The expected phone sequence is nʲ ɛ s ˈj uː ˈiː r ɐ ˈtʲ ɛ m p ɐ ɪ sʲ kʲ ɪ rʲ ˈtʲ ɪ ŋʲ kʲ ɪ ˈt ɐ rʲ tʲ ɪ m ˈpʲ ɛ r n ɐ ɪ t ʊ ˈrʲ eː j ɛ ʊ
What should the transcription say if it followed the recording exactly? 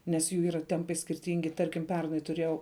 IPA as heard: nʲ ɛ s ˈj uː ˈiː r ɐ ˈtʲ ɛ m p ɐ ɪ sʲ kʲ ɪ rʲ ˈtʲ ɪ ŋʲ ɡʲ ɪ ˈt ɐ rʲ kʲ ɪ m ˈpʲ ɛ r n ɐ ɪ t ʊ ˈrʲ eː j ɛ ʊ